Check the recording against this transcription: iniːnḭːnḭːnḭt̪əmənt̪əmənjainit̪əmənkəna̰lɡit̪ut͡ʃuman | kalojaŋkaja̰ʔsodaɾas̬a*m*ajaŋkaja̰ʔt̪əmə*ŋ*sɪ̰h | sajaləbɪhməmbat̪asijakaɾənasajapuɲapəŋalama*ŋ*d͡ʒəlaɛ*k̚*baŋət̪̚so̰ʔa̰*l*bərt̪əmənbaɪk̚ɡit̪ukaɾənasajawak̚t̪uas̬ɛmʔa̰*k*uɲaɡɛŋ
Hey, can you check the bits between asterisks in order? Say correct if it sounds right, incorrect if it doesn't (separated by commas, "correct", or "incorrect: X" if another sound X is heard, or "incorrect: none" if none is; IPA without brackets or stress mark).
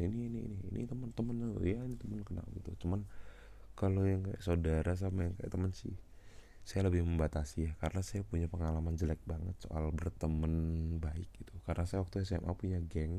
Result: correct, incorrect: n, incorrect: n, correct, correct, incorrect: p